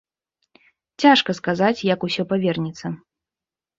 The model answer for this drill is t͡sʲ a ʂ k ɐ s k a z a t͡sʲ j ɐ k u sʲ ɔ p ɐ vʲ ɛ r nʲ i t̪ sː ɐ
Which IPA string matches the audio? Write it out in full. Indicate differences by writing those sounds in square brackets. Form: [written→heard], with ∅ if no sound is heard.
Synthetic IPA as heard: t͡sʲ a ʂ k ɐ s k a z a t͡sʲ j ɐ k u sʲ ɔ p [ɐ→a] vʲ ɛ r nʲ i t̪ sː ɐ